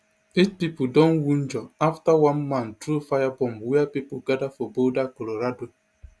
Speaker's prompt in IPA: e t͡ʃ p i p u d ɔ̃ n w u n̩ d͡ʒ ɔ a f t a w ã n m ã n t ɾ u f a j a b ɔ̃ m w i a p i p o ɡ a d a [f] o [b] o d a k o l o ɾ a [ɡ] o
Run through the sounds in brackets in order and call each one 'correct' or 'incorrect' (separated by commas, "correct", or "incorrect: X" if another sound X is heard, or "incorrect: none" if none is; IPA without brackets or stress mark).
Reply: correct, correct, incorrect: d